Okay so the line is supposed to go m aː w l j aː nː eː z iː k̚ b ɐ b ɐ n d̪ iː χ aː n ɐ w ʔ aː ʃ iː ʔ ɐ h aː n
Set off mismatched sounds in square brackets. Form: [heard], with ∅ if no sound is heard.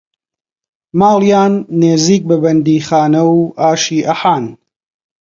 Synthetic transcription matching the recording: m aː [∅] l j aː nː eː z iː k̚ b ɐ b ɐ n d̪ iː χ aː n ɐ w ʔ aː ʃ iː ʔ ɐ [ħ] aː n